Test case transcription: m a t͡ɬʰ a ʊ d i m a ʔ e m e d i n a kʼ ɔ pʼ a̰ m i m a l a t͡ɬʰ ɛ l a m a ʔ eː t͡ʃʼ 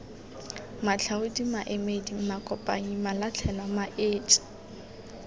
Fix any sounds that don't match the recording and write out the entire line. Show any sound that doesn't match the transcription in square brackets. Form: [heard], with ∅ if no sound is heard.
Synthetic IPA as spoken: m a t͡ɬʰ a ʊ d i m a ʔ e m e d i [m] a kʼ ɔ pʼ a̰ [ɲ] i m a l a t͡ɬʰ ɛ l a m a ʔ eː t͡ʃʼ